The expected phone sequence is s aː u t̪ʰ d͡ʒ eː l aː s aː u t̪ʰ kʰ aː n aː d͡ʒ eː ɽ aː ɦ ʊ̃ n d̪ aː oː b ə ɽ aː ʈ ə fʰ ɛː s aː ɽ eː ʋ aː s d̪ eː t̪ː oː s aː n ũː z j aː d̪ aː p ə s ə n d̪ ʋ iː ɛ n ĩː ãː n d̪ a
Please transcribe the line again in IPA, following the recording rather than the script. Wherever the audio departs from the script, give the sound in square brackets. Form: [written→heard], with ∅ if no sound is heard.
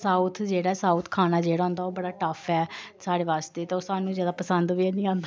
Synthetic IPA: s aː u t̪ʰ d͡ʒ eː [l→ɽ] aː s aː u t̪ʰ kʰ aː n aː d͡ʒ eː ɽ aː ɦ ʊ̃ n d̪ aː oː b ə ɽ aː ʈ ə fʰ ɛː s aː ɽ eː ʋ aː s [d̪→t̪] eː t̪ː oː s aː n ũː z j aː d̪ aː p ə s ə n d̪ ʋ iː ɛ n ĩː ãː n d̪ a